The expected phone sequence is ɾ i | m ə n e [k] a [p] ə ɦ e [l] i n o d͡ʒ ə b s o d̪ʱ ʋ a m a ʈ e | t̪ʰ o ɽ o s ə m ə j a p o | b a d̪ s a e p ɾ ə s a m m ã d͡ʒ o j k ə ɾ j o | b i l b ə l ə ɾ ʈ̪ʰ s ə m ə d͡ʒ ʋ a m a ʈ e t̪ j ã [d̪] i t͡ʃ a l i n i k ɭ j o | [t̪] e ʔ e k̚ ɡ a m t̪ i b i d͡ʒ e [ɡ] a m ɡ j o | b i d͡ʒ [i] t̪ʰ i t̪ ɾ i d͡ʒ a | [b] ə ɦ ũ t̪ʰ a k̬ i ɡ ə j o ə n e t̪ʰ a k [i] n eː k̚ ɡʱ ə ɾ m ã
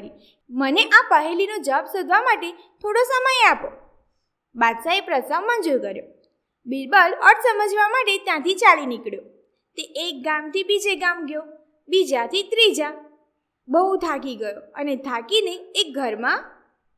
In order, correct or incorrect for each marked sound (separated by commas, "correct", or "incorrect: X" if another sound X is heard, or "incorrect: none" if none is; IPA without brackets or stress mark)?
incorrect: ʔ, correct, correct, incorrect: t̪, correct, correct, incorrect: a, correct, correct